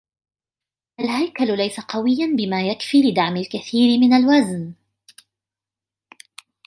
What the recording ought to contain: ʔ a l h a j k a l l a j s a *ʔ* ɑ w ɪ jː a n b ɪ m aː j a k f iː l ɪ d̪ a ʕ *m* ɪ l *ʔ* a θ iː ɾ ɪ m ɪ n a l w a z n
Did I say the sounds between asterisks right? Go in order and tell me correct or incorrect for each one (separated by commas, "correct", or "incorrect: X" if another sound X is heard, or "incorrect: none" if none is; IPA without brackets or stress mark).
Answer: incorrect: q, correct, incorrect: k